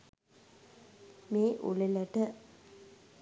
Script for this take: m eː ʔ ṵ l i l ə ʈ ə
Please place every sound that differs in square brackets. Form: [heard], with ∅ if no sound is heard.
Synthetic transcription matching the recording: m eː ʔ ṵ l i l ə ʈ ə

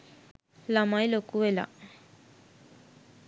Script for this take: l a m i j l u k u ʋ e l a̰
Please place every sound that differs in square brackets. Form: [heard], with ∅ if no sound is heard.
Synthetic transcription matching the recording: l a m [a] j l [o] k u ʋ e l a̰

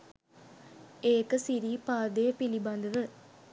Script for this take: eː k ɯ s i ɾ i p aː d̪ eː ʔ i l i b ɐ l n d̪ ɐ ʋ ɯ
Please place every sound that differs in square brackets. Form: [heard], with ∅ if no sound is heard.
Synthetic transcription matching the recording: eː k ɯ s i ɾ i p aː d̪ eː [p] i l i b ɐ [∅] n d̪ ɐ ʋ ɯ

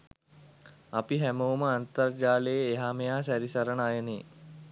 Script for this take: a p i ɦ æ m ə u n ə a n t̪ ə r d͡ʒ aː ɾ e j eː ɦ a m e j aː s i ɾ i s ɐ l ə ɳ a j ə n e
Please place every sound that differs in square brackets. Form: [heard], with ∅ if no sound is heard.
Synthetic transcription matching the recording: a p i ɦ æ m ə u [m] ə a n t̪ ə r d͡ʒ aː [l] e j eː ɦ a m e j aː s [æ] ɾ i s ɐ [ɾ] ə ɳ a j ə n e

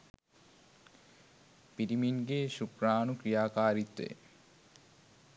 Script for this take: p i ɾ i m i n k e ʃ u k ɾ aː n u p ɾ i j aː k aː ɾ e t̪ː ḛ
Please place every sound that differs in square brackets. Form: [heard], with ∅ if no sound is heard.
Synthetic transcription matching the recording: p i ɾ i m i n [ɡ] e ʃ u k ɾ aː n u [k] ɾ i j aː k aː ɾ [i] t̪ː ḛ

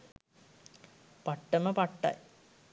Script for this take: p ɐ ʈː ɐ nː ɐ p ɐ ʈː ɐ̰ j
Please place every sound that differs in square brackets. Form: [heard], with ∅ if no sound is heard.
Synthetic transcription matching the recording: p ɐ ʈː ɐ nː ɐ p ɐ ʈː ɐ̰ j

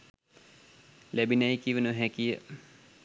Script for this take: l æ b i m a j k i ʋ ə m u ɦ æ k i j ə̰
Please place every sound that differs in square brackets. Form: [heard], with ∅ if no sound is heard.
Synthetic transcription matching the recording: l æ b i [n] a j k i ʋ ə [n] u ɦ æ k i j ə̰

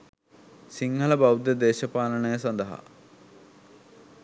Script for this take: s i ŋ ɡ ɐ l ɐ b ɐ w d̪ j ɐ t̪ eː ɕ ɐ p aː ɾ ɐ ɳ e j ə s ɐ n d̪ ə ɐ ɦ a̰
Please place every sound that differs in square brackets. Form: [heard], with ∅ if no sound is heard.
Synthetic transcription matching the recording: s i ŋ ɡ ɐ l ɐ b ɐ w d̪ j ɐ [d̪] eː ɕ ɐ p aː [l] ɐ ɳ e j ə s ɐ n d̪ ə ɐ ɦ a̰

